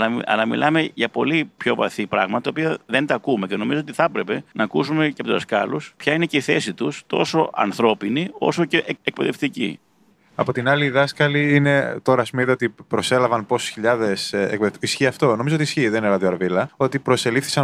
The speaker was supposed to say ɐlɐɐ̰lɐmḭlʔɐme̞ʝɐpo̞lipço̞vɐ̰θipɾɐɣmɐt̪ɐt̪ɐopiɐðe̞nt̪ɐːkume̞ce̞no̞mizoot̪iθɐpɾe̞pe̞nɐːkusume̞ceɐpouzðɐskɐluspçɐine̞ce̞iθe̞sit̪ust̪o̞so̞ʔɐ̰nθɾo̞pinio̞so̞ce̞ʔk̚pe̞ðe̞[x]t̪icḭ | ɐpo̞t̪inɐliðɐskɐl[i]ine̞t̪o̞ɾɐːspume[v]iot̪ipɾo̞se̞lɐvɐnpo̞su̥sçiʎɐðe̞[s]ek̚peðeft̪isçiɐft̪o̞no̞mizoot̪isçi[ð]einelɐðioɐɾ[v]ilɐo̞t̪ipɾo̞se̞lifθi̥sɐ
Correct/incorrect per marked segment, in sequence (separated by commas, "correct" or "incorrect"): incorrect, correct, incorrect, correct, correct, correct